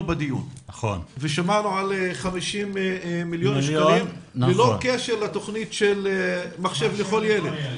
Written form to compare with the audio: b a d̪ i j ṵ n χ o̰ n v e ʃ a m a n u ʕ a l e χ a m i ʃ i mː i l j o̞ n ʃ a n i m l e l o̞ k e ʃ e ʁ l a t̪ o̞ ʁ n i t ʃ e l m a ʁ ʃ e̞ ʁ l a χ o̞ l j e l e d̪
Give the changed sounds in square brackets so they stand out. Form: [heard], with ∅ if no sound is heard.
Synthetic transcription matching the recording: b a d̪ i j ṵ n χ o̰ n v e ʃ a m a n u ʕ a l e χ a m i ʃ i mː i l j o̞ n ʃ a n i m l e l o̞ k e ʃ e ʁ l a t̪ o̞ [χ] n i t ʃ e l m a [χ] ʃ e̞ [v] l [e] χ o̞ l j e l e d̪